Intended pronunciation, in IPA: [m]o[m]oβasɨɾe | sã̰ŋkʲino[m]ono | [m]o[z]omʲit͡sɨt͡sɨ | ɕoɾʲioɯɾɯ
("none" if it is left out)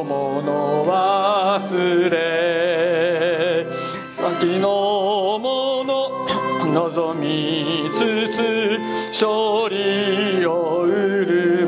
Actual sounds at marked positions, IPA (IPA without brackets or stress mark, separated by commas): m, n, m, n, z